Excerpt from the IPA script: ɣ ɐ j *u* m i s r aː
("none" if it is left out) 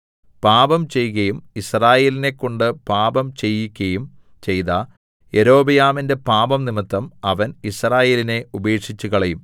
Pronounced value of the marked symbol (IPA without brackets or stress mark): u